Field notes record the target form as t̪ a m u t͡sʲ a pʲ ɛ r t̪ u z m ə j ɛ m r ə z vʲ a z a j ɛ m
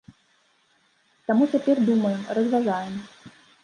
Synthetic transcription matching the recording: t̪ a m u t͡sʲ a pʲ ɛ r d̪ u m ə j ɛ m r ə z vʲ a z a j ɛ m